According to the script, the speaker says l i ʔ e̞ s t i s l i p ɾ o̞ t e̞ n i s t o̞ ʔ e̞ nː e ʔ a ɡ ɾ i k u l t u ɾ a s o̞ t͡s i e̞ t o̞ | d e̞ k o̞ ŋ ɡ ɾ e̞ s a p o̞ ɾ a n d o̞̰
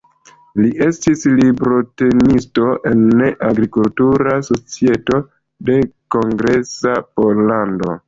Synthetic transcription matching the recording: l i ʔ e̞ s t i s l i b ɾ o̞ t e̞ n i s t o̞ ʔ e̞ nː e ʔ a ɡ ɾ i k u l t u ɾ a s o̞ t͡s i e̞ t o̞ | d e̞ k o̞ ŋ ɡ ɾ e̞ s a p o̞ l a n d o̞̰